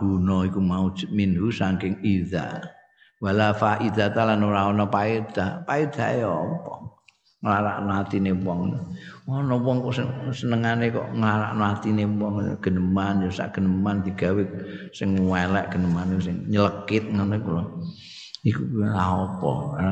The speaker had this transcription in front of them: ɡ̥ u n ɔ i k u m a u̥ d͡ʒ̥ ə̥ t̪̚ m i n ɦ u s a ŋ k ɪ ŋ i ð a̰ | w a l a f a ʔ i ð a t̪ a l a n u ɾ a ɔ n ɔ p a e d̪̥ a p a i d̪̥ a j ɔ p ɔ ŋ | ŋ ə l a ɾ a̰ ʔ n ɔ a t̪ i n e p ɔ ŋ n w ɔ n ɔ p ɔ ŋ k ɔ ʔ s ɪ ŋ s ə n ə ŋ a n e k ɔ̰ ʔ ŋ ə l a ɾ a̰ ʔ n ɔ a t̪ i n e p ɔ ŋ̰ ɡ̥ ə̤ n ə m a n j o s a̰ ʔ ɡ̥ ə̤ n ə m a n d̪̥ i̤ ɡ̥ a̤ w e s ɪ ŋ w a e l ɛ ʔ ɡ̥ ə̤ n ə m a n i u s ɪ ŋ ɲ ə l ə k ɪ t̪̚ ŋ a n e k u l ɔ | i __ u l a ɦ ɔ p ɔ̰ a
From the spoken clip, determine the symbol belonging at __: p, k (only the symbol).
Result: k